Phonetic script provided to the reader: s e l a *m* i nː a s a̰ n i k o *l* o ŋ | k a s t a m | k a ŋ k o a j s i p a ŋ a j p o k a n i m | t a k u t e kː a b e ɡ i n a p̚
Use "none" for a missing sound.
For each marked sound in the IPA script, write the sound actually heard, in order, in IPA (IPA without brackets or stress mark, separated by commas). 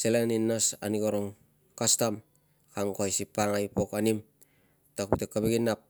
n, ɾ